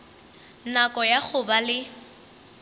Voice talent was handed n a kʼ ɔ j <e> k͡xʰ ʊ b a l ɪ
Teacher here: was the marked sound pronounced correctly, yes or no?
no